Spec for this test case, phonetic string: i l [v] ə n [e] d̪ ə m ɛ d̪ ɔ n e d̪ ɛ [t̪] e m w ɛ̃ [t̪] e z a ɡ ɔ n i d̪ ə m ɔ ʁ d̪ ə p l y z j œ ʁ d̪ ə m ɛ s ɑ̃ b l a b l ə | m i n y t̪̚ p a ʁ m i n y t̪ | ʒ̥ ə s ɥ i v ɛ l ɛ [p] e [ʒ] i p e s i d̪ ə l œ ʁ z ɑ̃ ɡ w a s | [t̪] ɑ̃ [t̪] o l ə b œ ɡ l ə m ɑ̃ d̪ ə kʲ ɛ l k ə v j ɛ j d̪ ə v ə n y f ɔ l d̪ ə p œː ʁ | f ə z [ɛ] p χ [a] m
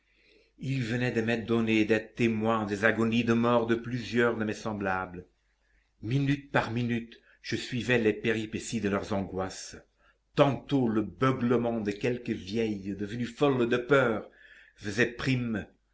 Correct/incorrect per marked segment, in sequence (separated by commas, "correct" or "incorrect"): correct, incorrect, correct, incorrect, correct, incorrect, correct, correct, correct, incorrect